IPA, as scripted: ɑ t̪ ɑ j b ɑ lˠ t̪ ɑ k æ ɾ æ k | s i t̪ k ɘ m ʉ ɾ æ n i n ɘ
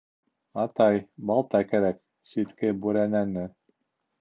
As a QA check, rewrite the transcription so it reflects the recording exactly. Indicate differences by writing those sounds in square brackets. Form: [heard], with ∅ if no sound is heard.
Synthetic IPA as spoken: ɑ t̪ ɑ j b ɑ lˠ t̪ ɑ k æ ɾ æ k | s i t̪ k ɘ [b] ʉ ɾ æ n [æ] n ɘ